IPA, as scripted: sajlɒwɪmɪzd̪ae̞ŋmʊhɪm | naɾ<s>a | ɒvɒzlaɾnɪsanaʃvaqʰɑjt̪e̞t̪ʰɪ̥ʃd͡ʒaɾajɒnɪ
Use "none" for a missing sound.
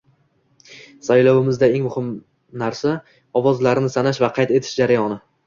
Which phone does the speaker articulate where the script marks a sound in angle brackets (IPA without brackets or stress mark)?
s